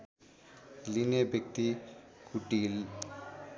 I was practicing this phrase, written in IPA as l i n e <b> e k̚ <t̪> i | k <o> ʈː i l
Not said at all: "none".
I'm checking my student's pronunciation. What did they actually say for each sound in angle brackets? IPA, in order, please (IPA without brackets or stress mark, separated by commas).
b, t̪, u